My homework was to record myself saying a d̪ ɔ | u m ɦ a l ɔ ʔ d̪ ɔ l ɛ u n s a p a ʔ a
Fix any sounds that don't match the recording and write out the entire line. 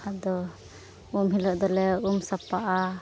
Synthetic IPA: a d̪ ɔ | u m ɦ i l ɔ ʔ d̪ ɔ l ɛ u m s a p a ʔ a